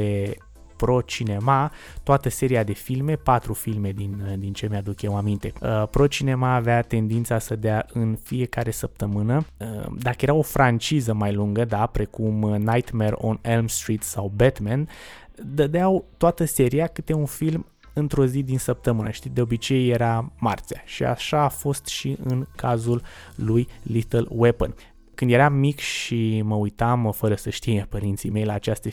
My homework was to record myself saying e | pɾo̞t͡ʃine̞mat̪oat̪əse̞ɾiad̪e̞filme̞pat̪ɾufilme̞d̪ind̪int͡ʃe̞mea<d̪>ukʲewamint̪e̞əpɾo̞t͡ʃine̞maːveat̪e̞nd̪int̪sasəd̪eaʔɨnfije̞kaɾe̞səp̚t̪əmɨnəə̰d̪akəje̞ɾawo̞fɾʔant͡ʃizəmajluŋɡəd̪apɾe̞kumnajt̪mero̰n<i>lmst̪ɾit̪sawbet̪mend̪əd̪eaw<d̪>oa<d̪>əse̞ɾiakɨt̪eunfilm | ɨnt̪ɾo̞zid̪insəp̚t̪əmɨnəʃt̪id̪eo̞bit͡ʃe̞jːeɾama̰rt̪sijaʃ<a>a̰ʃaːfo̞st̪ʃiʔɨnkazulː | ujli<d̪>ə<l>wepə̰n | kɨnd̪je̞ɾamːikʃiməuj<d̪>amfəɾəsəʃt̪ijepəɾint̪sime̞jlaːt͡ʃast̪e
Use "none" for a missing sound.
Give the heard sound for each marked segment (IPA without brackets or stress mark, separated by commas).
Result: d̪, e, t̪, t̪, i, t̪, l, t̪